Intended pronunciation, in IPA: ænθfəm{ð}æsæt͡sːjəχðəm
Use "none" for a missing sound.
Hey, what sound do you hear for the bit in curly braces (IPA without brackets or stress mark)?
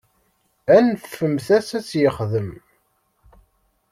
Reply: θ